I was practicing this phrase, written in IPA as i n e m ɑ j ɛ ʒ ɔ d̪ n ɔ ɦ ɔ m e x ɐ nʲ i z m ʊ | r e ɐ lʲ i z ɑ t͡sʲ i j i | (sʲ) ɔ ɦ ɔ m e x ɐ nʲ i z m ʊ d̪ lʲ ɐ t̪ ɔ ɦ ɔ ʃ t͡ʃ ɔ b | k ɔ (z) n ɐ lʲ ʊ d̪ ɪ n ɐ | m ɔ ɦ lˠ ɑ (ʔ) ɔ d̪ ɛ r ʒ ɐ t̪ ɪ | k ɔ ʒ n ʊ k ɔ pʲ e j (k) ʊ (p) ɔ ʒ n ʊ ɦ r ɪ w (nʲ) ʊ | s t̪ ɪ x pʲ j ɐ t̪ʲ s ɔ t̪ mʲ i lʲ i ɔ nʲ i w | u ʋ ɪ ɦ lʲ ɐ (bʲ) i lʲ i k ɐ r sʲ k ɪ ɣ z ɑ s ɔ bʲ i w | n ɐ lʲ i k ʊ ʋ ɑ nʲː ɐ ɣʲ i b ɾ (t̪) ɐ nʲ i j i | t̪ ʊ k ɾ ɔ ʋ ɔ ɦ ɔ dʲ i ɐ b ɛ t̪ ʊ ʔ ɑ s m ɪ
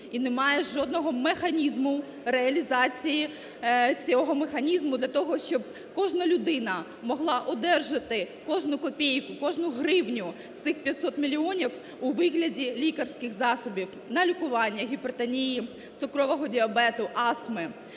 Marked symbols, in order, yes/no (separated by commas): no, no, yes, yes, no, yes, no, yes